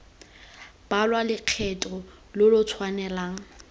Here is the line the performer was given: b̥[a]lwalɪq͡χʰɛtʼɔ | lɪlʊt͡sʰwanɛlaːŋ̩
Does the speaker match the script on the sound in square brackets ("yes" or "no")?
yes